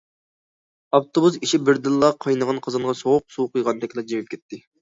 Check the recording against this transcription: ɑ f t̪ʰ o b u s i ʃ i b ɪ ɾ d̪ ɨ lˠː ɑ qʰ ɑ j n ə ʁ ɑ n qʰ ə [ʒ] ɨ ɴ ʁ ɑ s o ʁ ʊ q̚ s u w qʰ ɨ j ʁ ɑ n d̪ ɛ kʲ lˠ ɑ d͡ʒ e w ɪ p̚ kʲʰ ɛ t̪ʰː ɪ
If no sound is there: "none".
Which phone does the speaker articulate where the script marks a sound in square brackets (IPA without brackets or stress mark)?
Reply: z